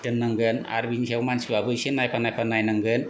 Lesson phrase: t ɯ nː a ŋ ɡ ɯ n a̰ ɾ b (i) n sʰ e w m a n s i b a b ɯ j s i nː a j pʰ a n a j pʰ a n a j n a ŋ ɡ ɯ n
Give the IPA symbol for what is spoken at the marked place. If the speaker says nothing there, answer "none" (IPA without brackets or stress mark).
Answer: i